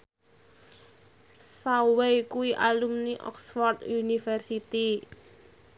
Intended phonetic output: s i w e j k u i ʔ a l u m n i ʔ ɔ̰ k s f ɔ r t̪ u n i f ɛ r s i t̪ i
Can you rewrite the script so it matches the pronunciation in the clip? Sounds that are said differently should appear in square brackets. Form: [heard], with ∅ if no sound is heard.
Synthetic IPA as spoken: s [a] w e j k u i ʔ a l u m n i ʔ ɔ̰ k s f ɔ r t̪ u n i f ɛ r s i t̪ i